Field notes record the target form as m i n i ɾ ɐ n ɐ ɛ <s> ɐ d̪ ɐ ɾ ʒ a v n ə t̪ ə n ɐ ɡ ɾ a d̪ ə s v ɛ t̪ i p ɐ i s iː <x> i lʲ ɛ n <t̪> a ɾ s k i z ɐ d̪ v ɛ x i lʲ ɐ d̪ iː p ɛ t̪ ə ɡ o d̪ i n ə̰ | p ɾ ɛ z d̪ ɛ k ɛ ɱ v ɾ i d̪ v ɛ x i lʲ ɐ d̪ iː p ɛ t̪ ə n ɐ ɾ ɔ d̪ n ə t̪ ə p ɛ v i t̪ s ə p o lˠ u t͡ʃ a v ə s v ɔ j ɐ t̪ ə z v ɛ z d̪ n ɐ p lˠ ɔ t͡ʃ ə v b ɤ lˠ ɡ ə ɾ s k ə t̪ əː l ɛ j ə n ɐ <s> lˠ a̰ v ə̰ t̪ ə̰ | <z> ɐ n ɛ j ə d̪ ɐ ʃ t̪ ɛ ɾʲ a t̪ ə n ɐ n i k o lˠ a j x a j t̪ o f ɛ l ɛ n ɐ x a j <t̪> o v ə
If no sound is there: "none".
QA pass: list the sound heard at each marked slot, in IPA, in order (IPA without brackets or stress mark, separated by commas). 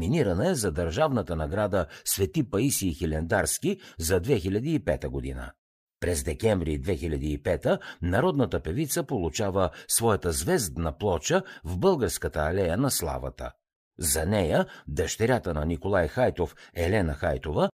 z, x, d̪, s, z, t̪